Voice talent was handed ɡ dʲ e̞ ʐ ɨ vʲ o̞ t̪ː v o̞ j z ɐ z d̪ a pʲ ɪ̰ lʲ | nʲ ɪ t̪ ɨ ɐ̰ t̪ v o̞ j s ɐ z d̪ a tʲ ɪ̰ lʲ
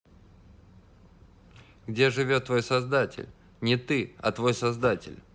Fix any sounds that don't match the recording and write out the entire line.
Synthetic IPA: ɡ dʲ e̞ ʐ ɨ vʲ o̞ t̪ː v o̞ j s ɐ z d̪ a tʲ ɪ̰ lʲ | nʲ ɪ t̪ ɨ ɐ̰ t̪ v o̞ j s ɐ z d̪ a tʲ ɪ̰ lʲ